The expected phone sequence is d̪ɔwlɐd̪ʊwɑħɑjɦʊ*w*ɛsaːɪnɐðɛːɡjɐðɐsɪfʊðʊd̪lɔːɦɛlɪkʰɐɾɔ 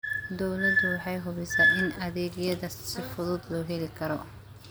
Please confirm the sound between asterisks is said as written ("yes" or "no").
no